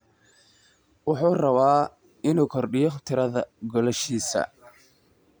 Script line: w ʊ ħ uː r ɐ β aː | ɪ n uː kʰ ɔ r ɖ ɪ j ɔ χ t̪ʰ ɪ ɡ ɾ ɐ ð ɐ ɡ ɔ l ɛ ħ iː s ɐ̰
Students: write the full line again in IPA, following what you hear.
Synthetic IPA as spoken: w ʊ ħ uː r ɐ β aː | ɪ n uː kʰ ɔ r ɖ ɪ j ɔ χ t̪ʰ ɪ ɾ ɐ ð ɐ ɡ ɔ l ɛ ʃ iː s ɐ̰